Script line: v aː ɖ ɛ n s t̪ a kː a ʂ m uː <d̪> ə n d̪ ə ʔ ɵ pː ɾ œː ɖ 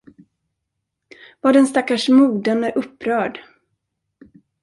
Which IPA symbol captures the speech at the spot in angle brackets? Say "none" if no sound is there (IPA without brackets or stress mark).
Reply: d̪